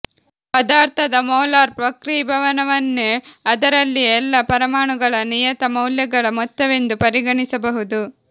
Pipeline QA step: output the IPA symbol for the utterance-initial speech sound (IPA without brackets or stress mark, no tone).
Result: p